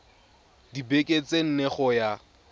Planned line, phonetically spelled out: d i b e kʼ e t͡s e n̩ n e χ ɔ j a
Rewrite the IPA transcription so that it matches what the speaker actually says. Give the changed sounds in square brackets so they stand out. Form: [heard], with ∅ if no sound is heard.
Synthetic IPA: d i b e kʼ e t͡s e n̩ n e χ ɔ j a